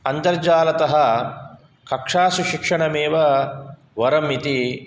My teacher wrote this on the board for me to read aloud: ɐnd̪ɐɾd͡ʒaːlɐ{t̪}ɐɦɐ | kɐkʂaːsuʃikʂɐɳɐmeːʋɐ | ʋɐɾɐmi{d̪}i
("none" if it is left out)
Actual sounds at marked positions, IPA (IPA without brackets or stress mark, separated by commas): t̪, t̪